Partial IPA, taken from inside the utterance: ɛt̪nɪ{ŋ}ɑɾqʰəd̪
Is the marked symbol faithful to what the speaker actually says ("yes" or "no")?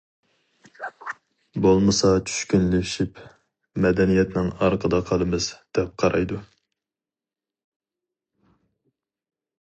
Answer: yes